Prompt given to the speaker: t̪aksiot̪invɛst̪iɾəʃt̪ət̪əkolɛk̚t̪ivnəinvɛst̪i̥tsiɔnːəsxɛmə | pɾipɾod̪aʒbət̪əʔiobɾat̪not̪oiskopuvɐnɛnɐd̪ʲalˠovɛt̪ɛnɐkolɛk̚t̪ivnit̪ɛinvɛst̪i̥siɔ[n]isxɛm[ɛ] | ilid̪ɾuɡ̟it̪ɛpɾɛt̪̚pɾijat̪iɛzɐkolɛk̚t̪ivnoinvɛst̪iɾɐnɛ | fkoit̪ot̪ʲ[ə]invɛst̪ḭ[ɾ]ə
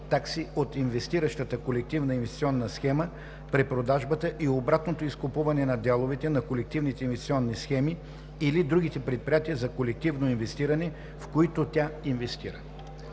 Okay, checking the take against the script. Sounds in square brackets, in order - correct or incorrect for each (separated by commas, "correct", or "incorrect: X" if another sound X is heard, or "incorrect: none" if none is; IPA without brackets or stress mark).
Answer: incorrect: nː, incorrect: i, incorrect: a, correct